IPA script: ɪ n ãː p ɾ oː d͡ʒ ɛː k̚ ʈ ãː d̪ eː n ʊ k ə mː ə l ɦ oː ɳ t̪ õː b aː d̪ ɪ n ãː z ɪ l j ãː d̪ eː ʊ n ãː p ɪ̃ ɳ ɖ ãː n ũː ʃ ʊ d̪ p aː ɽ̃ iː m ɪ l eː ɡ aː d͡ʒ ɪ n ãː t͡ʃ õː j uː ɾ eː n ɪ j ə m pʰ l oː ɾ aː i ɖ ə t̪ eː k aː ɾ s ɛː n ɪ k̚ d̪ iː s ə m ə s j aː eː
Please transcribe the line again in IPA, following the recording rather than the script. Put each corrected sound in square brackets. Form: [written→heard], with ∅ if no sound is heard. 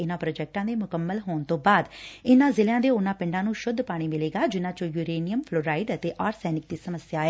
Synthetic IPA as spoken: ɪ n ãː p ɾ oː d͡ʒ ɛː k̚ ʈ ãː d̪ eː [n→m] ʊ k ə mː ə l ɦ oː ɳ t̪ õː b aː d̪ ɪ n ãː z ɪ l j ãː d̪ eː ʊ n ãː p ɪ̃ ɳ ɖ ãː n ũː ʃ ʊ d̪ p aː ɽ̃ iː m ɪ l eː ɡ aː d͡ʒ ɪ n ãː t͡ʃ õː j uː ɾ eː n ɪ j ə m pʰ l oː ɾ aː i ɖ ə t̪ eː [k→ʔ] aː ɾ s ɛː n ɪ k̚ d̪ iː s ə m ə s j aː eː